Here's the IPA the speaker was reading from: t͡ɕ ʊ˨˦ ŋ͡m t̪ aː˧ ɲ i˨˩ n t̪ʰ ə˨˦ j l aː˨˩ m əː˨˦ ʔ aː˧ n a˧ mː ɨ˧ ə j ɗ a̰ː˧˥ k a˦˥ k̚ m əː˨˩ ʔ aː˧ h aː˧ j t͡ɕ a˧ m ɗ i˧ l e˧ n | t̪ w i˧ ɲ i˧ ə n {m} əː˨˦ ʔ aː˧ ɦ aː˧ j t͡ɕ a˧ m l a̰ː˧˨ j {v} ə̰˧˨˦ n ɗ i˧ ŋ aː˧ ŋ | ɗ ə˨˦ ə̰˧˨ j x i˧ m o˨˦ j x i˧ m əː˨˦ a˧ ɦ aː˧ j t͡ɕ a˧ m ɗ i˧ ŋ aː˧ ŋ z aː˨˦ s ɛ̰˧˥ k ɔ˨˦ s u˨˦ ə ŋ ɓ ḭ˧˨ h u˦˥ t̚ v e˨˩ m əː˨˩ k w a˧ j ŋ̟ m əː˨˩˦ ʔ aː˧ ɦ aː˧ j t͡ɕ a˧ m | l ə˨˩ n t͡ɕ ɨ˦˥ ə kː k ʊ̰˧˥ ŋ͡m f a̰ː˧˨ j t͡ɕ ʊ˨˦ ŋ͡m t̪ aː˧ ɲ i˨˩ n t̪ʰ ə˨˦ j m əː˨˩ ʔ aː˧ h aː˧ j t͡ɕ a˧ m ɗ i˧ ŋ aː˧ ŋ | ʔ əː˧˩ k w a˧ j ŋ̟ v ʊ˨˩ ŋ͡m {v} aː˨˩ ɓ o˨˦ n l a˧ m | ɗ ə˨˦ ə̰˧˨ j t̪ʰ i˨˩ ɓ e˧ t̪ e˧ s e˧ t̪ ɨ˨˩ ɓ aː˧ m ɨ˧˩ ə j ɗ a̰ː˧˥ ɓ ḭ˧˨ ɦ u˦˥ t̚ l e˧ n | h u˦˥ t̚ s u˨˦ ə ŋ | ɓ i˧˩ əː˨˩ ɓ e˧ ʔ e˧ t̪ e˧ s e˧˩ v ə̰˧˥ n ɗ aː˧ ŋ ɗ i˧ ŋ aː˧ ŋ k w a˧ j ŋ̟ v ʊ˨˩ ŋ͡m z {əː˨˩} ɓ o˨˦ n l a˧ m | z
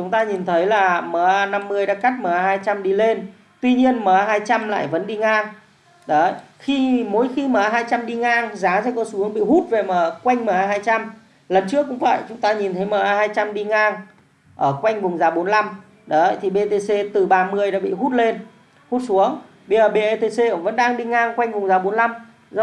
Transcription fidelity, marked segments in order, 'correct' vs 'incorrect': correct, correct, incorrect: z, incorrect: aː˨˩

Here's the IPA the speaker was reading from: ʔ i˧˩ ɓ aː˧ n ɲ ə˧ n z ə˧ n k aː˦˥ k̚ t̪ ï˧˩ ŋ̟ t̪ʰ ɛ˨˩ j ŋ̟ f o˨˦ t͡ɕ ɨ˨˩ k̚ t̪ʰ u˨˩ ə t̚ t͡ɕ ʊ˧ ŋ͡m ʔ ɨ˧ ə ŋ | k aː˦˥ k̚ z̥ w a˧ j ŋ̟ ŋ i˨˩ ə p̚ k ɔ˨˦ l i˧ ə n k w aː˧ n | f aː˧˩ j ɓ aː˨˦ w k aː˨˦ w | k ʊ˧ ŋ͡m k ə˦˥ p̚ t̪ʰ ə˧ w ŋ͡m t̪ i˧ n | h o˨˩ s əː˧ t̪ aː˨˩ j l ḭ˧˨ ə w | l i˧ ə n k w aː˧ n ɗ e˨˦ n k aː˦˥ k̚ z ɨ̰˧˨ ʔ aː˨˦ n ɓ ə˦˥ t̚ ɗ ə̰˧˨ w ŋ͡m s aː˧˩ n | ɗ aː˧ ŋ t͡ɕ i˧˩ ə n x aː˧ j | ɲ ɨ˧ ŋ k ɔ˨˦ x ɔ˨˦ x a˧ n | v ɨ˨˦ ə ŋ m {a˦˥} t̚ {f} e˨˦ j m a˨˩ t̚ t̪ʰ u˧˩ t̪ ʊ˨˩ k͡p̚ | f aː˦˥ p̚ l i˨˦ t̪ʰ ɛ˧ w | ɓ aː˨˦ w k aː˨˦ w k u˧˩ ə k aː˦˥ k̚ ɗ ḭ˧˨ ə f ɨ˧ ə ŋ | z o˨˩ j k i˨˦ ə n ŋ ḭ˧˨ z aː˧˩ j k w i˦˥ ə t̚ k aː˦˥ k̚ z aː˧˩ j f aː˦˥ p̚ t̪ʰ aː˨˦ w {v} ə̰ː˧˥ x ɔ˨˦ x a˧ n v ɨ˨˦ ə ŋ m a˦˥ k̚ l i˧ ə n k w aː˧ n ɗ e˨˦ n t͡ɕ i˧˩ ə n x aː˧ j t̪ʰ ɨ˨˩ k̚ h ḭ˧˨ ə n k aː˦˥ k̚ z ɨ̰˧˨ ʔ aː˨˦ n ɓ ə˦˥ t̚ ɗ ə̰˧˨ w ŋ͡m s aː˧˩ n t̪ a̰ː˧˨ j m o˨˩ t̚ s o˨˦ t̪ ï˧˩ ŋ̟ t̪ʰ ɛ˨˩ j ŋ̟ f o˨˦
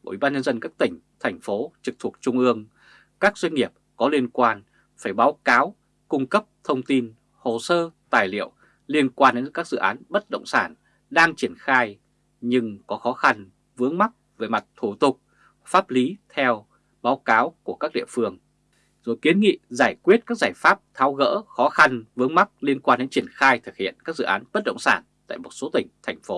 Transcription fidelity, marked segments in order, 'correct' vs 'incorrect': correct, incorrect: v, incorrect: ɣ

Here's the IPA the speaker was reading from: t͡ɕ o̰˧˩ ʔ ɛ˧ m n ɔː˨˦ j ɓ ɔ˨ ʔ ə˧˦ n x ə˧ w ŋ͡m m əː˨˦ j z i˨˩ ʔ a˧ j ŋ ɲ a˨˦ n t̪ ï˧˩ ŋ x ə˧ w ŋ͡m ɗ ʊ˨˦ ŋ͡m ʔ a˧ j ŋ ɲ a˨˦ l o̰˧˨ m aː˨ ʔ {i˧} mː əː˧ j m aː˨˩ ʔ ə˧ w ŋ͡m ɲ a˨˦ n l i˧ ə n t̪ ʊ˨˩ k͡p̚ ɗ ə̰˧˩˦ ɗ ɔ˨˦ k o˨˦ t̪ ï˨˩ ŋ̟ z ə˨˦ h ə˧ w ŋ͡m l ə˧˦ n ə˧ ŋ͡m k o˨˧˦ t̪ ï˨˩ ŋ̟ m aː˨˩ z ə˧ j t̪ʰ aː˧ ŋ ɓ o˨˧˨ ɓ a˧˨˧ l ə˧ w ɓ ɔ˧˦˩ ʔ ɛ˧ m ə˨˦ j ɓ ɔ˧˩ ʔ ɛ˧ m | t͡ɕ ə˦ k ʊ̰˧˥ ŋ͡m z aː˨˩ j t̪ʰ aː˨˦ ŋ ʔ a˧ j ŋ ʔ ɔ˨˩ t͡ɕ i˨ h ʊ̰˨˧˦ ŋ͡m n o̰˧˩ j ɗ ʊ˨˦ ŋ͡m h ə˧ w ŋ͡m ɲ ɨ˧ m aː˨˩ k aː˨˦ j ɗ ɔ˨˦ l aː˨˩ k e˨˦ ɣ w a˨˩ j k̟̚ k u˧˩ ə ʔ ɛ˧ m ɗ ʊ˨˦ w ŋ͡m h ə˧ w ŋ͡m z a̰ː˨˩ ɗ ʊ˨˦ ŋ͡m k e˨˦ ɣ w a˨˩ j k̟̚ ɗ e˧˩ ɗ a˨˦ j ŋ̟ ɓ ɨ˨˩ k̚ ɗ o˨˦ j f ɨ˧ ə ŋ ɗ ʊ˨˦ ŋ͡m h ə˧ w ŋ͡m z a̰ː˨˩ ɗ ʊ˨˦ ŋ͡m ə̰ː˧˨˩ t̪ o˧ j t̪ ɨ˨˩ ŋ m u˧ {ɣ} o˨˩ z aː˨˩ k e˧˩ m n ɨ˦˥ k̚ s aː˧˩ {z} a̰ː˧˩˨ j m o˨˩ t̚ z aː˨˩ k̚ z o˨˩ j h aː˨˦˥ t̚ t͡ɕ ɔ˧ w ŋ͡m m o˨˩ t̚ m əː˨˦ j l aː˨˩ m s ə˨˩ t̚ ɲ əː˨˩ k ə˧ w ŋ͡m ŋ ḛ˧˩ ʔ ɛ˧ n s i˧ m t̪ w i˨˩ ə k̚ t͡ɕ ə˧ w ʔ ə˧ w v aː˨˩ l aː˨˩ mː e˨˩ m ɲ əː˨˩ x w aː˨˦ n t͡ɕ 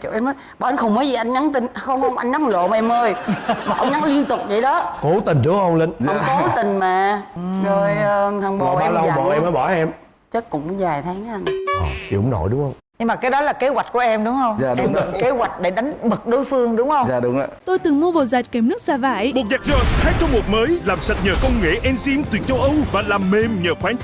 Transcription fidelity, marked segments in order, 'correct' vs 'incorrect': incorrect: ɛ˧, incorrect: v, incorrect: v

